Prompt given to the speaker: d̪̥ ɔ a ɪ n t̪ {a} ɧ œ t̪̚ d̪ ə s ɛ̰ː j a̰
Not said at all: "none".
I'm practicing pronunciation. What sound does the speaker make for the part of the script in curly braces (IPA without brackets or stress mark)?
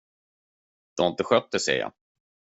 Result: ə